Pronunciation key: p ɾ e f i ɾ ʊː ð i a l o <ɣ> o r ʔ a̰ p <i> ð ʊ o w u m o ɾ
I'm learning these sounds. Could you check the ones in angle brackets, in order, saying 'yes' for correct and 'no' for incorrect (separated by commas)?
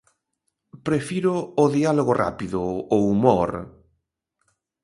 yes, yes